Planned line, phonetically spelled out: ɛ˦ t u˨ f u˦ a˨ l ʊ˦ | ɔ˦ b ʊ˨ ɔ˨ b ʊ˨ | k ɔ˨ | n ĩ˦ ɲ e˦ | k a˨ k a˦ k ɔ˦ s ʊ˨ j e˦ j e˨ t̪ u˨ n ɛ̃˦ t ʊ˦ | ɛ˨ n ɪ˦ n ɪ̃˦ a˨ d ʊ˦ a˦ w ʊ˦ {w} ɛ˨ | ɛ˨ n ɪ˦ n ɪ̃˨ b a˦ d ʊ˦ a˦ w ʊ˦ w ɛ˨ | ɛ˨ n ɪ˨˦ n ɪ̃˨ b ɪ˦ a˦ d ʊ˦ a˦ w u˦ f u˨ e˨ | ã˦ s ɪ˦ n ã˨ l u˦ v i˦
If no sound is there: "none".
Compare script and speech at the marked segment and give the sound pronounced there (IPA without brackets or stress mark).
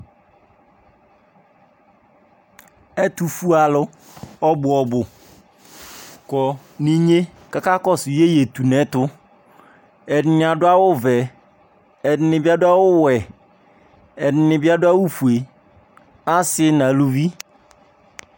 v